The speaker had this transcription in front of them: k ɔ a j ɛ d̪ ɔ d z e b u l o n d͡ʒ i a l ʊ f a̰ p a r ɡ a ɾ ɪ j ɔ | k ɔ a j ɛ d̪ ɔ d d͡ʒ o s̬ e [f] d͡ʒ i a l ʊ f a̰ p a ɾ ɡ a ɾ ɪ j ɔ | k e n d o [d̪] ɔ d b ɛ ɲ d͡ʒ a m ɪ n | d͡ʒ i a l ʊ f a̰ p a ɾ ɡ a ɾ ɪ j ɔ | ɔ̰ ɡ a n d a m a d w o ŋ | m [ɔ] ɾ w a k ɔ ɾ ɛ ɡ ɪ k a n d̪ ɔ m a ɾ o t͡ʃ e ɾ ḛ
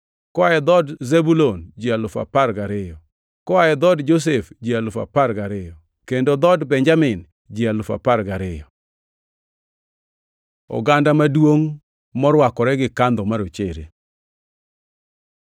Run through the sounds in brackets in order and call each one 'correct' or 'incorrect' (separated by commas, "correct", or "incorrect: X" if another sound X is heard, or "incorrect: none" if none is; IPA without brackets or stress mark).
correct, correct, correct